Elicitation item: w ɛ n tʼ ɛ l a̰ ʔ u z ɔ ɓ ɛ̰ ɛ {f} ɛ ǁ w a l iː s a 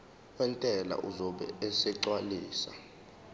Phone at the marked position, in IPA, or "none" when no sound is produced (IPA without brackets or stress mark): s